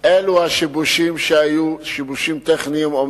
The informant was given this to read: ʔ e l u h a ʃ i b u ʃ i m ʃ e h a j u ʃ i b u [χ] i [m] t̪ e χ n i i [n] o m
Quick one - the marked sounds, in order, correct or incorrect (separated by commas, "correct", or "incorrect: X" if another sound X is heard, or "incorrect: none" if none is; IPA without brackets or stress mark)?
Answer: incorrect: ʃ, correct, incorrect: m